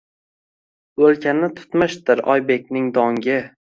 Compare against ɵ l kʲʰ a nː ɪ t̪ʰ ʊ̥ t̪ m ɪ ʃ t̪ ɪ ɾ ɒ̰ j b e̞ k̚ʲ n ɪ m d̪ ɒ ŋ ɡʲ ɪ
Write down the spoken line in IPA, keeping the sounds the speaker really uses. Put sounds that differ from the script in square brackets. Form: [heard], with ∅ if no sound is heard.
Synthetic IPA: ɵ l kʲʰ a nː ɪ t̪ʰ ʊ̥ t̪ m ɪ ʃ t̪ ɪ ɾ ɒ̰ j b e̞ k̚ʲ n ɪ [ŋ] d̪ ɒ ŋ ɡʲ ɪ